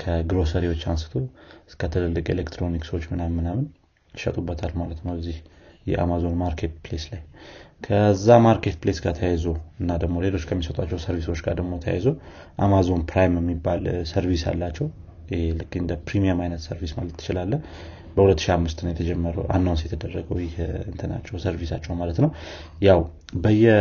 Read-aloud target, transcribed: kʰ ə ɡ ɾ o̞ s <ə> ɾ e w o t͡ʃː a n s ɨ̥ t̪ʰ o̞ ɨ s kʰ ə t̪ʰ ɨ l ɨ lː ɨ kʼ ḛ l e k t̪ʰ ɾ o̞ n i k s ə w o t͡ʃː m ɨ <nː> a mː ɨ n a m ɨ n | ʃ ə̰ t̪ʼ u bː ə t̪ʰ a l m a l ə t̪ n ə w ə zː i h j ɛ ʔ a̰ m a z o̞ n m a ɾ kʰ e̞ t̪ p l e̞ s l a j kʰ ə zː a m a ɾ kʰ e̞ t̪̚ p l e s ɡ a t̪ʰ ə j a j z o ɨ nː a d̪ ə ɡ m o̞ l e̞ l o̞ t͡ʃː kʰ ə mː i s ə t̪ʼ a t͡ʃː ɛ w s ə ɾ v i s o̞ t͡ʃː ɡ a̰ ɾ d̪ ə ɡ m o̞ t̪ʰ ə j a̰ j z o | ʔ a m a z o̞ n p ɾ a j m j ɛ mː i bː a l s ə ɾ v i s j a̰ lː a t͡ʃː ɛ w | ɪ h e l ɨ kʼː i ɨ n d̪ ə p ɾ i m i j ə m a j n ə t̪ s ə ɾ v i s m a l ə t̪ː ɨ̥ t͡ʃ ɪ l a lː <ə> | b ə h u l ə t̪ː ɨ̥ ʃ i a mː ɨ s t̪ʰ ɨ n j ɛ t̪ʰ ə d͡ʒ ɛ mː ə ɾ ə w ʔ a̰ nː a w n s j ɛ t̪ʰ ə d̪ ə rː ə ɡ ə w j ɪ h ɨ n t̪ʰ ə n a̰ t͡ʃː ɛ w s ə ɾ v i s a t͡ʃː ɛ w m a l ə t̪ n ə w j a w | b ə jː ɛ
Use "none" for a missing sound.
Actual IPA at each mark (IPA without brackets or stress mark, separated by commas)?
ə, n, ə